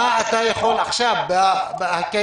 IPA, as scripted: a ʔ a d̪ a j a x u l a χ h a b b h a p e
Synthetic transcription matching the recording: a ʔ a t̪ a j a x o l a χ ʃ a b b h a k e